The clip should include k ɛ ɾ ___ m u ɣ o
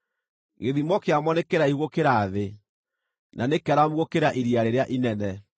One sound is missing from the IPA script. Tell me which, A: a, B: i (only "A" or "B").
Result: A